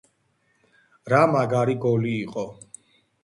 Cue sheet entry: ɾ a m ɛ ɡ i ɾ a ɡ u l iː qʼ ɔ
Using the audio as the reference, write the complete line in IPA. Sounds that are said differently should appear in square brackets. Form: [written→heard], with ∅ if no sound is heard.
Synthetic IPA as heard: ɾ a m [ɛ→a] ɡ [i→a] ɾ [a→i] ɡ [u→ɔ] l iː qʼ ɔ